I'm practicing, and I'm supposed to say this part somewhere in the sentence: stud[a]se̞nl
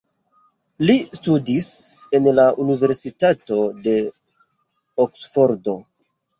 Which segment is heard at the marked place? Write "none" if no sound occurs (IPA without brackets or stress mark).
i